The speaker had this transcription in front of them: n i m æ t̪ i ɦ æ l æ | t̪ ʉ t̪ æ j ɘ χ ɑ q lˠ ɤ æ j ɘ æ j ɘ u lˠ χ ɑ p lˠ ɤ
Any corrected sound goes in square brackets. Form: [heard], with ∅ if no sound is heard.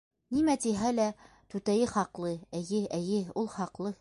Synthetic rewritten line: n i m æ t̪ i ɦ æ l æ | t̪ ʉ t̪ æ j ɘ χ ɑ q lˠ ɤ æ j ɘ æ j ɘ u lˠ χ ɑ [q] lˠ ɤ